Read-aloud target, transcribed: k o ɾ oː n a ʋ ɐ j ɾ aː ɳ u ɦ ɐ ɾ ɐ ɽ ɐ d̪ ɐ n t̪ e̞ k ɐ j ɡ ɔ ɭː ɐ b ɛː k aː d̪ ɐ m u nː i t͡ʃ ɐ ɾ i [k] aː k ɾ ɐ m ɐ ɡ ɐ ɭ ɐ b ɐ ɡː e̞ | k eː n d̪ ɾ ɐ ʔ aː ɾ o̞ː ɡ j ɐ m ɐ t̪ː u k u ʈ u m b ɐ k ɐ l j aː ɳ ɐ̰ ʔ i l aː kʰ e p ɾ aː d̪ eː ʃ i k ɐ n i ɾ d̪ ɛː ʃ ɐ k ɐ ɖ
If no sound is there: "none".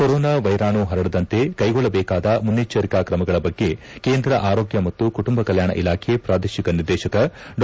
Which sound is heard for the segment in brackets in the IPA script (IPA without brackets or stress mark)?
k